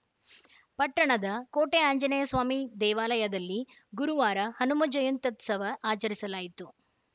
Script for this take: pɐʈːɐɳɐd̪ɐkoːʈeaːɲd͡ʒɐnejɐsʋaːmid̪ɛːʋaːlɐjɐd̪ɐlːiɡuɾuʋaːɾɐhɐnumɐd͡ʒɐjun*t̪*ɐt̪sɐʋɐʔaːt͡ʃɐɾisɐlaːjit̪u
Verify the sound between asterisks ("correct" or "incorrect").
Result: correct